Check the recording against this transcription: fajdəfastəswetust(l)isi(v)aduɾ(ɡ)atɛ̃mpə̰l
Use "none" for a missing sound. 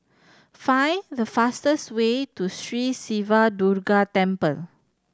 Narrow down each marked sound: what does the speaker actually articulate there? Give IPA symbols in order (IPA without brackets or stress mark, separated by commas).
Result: ɹ, v, ɡ